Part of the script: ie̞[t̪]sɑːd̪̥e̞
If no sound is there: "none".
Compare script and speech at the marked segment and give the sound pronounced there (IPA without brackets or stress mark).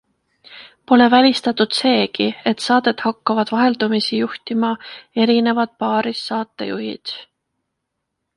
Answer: t̪